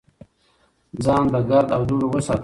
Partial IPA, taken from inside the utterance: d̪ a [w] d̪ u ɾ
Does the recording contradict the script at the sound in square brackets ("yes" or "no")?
no